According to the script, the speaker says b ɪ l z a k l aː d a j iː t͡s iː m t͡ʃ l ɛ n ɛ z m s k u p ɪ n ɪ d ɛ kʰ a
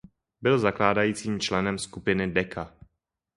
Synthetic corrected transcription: b ɪ l z a k l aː d a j iː t͡s iː m t͡ʃ l ɛ n ɛ m s k u p ɪ n ɪ d ɛ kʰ a